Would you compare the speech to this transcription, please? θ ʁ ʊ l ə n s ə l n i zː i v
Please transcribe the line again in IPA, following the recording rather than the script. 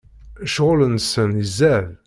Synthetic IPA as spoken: ʃ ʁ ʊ l ə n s ə n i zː æ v